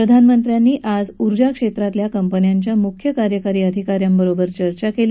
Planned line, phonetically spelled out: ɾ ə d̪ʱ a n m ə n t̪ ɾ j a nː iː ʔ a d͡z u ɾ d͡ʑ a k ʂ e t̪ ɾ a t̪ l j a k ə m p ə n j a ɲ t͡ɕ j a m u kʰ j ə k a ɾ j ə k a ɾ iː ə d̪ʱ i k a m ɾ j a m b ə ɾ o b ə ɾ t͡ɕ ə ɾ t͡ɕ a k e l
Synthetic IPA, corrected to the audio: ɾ ə d̪ʱ a n m ə n t̪ ɾ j a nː iː ʔ a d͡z u ɾ d͡ʑ a k ʂ e t̪ ɾ a t̪ l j a k ə m p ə n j a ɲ t͡ɕ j a m u kʰ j ə k a ɾ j ə k a ɾ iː ə d̪ʱ i k a ɾ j a m b ə ɾ o b ə ɾ t͡ɕ ə ɾ t͡ɕ a k e l